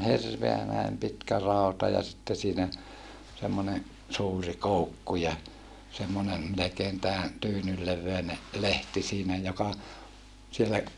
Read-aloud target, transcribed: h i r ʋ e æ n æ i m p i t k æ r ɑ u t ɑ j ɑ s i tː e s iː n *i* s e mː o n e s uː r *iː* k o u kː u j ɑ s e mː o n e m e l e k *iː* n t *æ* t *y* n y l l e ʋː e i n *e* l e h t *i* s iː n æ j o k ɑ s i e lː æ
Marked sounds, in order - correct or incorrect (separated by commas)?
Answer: incorrect, incorrect, incorrect, incorrect, incorrect, correct, correct